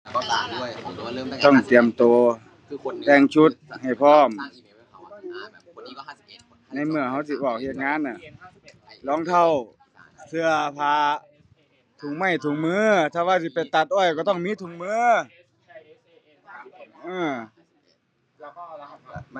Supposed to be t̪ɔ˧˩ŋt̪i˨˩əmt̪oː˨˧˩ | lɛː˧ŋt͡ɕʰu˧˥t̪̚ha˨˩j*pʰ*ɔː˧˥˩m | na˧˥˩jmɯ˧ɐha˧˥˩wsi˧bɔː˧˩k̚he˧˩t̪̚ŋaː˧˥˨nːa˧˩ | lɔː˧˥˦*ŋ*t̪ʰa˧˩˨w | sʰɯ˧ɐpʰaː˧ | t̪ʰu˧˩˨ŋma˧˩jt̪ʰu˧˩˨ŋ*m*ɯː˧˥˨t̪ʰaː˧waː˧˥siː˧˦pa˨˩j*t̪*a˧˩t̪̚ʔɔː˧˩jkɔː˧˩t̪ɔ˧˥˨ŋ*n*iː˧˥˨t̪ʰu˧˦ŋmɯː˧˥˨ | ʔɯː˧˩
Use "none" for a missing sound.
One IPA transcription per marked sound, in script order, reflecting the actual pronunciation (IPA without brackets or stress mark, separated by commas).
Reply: pʰ, ŋ, m, t̪, m